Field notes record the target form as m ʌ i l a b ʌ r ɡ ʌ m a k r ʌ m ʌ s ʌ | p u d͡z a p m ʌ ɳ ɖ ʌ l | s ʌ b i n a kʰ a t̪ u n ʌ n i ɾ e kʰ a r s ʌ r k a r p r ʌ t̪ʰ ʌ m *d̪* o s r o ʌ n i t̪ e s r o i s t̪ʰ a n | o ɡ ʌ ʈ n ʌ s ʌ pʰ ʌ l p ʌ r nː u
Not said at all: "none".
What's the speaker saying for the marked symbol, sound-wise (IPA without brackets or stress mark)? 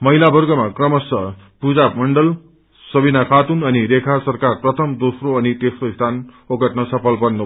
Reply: d̪